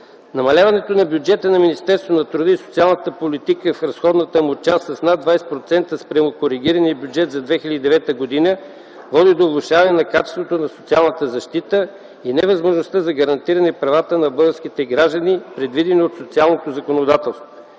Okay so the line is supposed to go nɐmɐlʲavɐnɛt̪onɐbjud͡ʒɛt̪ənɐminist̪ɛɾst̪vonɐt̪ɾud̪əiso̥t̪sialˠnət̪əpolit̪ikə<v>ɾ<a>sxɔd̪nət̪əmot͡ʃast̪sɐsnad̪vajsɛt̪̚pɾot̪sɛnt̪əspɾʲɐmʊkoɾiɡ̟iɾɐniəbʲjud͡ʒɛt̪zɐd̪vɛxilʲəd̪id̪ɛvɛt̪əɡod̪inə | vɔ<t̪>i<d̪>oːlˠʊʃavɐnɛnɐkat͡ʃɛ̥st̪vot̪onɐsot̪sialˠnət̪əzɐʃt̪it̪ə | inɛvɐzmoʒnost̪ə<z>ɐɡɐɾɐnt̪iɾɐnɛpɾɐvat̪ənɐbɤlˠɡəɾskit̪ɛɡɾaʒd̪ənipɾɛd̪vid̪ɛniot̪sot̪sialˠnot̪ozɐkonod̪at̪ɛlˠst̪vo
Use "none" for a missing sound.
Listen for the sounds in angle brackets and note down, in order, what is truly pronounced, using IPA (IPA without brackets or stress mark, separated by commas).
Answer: f, ɐ, d̪, d̪, z